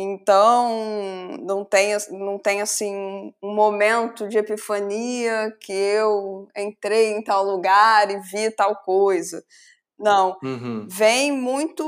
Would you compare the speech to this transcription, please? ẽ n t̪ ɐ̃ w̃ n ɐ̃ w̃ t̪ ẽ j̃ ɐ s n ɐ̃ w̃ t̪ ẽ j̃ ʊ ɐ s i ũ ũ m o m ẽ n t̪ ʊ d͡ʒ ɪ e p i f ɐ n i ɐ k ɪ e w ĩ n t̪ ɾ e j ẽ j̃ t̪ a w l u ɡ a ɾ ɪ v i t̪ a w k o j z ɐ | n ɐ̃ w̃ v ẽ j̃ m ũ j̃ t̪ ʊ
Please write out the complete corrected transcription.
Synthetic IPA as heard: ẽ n t̪ ɐ̃ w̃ n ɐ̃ w̃ t̪ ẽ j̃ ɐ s n ɐ̃ w̃ t̪ ẽ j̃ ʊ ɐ s ĩ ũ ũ m o m ẽ n t̪ ʊ d͡ʒ ɪ e p i f ɐ n i ɐ k ɪ e w ẽ n t̪ ɾ e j ẽ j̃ t̪ a w l u ɡ a ɾ ɪ v i t̪ a w k o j z ɐ | n ɐ̃ w̃ v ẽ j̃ m ũ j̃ t̪ ʊ